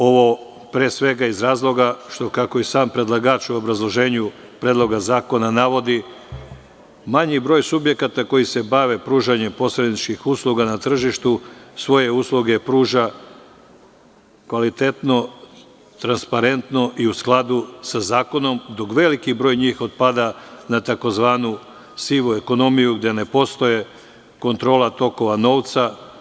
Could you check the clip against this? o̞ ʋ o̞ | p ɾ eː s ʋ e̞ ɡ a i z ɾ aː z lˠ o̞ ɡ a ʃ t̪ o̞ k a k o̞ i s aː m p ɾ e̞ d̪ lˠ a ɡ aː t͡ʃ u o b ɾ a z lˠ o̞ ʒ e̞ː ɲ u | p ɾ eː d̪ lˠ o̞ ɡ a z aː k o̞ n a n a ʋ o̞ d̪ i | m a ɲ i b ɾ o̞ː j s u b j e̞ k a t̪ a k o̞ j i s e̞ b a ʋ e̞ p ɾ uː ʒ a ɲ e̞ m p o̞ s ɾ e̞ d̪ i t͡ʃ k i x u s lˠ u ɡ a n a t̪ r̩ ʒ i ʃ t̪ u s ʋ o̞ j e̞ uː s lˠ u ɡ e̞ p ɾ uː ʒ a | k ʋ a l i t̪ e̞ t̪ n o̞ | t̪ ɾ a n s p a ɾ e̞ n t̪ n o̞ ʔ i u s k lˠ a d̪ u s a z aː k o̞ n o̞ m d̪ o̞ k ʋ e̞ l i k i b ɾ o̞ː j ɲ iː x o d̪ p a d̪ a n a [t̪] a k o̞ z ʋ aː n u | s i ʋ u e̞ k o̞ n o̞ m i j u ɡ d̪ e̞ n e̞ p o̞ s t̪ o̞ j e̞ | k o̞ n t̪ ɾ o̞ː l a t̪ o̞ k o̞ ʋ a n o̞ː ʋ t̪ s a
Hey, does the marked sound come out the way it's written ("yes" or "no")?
yes